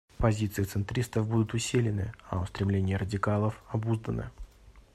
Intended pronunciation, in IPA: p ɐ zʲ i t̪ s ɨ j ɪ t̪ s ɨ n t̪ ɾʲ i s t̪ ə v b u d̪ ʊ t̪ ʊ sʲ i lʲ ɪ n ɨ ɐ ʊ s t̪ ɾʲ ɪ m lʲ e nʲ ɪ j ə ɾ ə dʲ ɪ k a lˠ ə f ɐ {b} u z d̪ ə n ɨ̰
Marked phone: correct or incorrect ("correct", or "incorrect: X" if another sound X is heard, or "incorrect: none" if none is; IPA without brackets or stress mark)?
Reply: correct